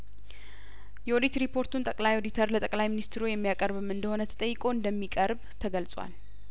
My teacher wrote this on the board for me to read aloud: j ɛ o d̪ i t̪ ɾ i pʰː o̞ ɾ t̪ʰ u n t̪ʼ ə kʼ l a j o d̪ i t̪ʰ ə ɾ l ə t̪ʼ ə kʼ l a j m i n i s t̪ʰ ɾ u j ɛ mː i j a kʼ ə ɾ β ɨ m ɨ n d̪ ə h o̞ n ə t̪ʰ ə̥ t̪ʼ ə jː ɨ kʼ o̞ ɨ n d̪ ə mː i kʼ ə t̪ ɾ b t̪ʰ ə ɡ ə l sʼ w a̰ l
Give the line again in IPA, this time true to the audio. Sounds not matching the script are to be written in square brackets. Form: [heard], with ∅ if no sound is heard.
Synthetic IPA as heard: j ɛ o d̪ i t̪ ɾ i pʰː o̞ ɾ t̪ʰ u n t̪ʼ ə kʼ l a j o d̪ i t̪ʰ ə ɾ l ə t̪ʼ ə kʼ l a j m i n i s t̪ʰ ɾ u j ɛ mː i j a kʼ ə ɾ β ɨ m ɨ n d̪ ə h o̞ n ə t̪ʰ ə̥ t̪ʼ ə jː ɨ kʼ o̞ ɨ n d̪ ə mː i kʼ ə [∅] ɾ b t̪ʰ ə ɡ ə l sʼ w a̰ l

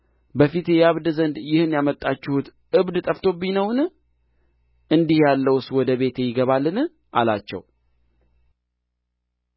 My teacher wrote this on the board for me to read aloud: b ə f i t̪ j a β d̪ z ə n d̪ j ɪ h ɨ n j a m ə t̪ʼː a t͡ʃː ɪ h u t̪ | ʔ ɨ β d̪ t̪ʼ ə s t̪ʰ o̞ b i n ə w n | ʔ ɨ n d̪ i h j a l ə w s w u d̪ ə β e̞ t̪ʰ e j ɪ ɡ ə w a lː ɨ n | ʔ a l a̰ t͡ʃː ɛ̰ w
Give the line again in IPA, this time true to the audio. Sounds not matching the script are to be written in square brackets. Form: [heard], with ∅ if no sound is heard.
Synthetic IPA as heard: b ə f i t̪ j a β d̪ z ə n d̪ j ɪ h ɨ n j a m ə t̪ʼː a t͡ʃː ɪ h u t̪ | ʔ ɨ β d̪ t̪ʼ ə [f] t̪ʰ o̞ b i n ə w n | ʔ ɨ n d̪ i h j a [lː] ə w s w [ɔ] d̪ ə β e̞ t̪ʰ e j ɪ ɡ ə [β] a lː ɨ n | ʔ a l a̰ t͡ʃː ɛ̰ w

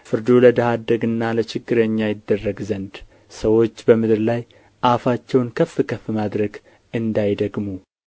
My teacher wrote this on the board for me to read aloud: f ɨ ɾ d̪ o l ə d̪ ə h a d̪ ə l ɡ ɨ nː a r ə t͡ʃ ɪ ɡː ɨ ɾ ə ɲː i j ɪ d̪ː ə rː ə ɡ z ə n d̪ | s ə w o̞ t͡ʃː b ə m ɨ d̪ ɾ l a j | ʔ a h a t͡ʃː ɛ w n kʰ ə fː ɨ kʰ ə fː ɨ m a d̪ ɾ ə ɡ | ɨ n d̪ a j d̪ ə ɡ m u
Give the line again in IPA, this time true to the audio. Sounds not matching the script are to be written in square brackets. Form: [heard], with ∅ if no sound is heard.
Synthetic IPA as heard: f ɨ ɾ d̪ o l ə d̪ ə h a d̪ ə [∅] ɡ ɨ nː a [l] ə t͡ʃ ɪ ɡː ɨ ɾ ə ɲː [a] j ɪ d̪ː ə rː ə ɡ z ə n d̪ | s ə w o̞ t͡ʃː b ə m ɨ d̪ ɾ l a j | ʔ a [f] a t͡ʃː ɛ w n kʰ ə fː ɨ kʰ ə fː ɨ m a d̪ ɾ ə ɡ | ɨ n d̪ a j d̪ ə ɡ m u

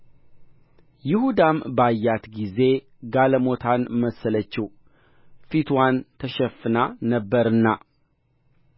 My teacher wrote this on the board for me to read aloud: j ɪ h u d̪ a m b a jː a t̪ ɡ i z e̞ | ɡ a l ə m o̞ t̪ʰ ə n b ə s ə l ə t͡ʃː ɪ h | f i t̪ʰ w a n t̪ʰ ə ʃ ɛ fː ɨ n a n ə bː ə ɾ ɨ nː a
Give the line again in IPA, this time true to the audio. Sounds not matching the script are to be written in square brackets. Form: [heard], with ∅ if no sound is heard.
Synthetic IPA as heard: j ɪ h u d̪ a m b a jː a t̪ ɡ i z e̞ | ɡ a l ə m o̞ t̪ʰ [a] n [m] ə s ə l ə t͡ʃː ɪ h | f i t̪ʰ w a n t̪ʰ ə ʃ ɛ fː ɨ n a n ə bː ə ɾ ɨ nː a

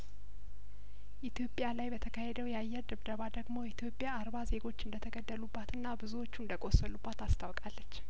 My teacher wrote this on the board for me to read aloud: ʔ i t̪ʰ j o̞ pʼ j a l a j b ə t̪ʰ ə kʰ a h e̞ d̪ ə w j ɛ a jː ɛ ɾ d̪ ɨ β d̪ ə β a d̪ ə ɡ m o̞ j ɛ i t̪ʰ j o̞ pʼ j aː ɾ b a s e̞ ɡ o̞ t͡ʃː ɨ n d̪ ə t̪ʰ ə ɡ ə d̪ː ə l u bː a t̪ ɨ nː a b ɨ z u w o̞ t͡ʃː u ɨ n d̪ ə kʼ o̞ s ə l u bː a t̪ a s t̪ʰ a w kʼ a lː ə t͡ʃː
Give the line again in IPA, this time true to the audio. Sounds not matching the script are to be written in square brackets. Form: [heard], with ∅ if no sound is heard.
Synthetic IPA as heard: ʔ i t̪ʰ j o̞ pʼ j a l a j b ə t̪ʰ ə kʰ a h e̞ d̪ ə w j ɛ a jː ɛ ɾ d̪ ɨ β d̪ ə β a d̪ ə ɡ m o̞ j ɛ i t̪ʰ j o̞ pʼ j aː ɾ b a [z] e̞ ɡ o̞ t͡ʃː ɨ n d̪ ə t̪ʰ ə ɡ ə d̪ː ə l u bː a t̪ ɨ nː a b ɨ z u w o̞ t͡ʃː u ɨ n d̪ ə kʼ o̞ s ə l u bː a t̪ a s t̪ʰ a w kʼ a lː ə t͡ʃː

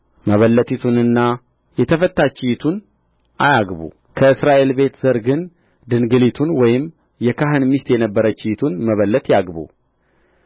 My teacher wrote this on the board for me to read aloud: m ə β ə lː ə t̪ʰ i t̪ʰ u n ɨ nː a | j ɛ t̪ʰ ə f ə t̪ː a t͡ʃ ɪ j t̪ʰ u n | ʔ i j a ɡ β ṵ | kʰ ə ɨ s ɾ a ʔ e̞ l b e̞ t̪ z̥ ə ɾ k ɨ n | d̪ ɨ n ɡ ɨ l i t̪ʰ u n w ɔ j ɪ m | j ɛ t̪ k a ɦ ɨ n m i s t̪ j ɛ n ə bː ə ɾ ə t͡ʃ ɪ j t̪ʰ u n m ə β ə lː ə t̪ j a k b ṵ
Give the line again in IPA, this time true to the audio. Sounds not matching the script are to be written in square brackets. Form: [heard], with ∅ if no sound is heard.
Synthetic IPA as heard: m ə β ə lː ə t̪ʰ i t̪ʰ u n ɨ nː a | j ɛ t̪ʰ ə f ə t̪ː a t͡ʃ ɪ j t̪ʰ u n | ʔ [a] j a ɡ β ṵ | kʰ ə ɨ s ɾ a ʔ e̞ l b e̞ t̪ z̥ ə ɾ [ɡ] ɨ n | d̪ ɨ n ɡ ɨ l i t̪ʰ u n w ɔ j ɪ m | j ɛ [∅] k a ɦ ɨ n m i s t̪ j ɛ n ə bː ə ɾ ə t͡ʃ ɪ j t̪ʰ u n m ə β ə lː ə t̪ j a [ɡ] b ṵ

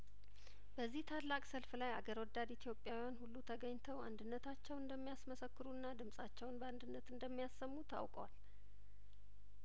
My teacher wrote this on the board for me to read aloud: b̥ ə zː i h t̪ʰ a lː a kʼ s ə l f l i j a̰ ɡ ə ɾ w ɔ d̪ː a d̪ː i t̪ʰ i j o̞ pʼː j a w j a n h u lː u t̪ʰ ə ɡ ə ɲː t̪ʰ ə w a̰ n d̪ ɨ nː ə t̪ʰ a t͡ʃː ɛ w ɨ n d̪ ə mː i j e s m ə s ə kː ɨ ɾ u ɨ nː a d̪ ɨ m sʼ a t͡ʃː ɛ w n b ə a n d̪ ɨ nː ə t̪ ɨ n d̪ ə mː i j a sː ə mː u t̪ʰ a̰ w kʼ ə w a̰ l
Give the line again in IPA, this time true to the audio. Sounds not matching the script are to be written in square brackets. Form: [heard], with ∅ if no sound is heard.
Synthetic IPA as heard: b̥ ə zː i h t̪ʰ a lː a kʼ s ə l f l [a] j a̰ ɡ ə ɾ w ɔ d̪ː a [d̪] i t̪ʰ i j o̞ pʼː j a w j a n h u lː u t̪ʰ ə ɡ ə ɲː t̪ʰ ə w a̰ n d̪ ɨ nː ə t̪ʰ a t͡ʃː ɛ w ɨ n d̪ ə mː i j [a] s m ə s ə kː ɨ ɾ u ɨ nː a d̪ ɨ m sʼ a t͡ʃː ɛ w n b ə a n d̪ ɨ nː ə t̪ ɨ n d̪ ə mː i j a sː ə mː u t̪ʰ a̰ w kʼ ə w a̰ l

